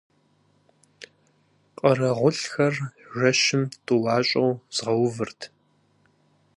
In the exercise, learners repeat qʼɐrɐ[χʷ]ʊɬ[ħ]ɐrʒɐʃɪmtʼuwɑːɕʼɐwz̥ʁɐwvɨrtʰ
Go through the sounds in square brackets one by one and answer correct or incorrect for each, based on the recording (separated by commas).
incorrect, incorrect